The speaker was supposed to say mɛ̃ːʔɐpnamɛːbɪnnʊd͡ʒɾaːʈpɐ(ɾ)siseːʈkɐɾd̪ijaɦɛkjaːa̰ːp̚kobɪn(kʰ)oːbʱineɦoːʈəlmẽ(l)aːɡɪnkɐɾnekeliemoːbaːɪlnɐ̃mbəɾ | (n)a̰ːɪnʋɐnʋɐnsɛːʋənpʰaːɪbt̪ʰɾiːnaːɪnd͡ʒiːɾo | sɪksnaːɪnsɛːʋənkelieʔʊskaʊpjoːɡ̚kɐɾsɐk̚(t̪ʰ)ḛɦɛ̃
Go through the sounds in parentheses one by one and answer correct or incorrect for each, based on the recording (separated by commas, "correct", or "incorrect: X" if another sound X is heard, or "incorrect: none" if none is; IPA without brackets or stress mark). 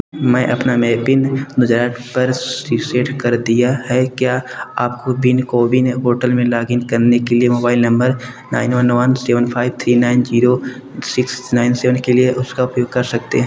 correct, incorrect: k, correct, correct, incorrect: t̪